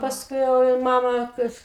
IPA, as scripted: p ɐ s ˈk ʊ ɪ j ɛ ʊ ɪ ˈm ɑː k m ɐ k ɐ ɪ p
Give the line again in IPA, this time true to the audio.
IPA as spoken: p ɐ s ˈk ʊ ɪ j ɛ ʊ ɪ ˈm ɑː m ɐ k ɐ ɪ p

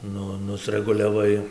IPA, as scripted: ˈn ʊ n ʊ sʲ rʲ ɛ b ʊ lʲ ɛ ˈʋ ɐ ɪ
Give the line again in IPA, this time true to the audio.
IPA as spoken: ˈn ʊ n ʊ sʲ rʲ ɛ ɡ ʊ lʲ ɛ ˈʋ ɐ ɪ

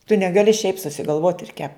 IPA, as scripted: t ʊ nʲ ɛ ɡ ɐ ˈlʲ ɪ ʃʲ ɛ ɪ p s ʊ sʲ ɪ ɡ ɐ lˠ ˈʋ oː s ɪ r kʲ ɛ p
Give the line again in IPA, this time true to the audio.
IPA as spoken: t ʊ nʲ ɛ ɡ ɐ ˈlʲ ɪ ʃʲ ɛ ɪ p s ʊ sʲ ɪ ɡ ɐ lˠ ˈʋ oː t ɪ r kʲ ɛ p

